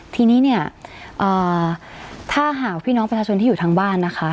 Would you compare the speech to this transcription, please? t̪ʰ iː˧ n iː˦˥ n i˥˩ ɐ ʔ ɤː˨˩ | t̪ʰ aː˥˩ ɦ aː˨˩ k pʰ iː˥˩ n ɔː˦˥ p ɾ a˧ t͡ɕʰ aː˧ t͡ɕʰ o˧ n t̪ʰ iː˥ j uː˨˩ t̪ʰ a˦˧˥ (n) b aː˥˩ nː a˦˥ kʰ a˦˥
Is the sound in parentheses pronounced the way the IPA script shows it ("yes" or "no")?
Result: no